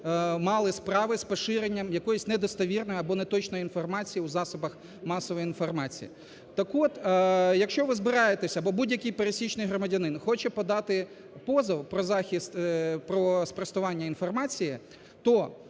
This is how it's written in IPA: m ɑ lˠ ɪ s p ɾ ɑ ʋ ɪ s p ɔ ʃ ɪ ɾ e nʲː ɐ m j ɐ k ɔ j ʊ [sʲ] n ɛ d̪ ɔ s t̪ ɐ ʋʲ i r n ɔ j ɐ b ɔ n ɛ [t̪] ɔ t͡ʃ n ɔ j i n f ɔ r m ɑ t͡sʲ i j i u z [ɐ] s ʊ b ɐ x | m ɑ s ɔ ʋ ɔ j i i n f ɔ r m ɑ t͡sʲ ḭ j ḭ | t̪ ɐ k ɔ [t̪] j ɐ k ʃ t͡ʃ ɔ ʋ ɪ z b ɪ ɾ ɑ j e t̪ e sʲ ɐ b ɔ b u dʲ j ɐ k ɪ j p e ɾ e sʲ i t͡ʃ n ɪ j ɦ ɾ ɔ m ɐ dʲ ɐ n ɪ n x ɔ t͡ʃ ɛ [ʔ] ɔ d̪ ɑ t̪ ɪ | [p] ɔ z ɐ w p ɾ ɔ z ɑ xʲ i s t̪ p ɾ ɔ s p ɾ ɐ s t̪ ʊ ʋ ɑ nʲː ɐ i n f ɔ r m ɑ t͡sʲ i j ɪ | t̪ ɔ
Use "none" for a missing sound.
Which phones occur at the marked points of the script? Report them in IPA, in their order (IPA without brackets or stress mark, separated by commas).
sʲ, t̪, ɑ, t̪, p, p